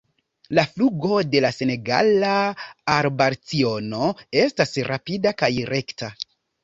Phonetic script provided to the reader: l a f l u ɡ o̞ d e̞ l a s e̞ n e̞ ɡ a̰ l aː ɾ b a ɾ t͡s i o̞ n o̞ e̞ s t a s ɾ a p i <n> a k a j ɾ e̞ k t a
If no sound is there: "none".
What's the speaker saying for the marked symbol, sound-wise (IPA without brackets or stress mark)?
d